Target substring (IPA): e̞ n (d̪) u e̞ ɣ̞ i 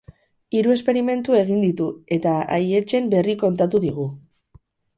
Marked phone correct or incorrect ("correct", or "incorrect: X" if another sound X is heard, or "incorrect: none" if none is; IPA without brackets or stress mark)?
incorrect: t̪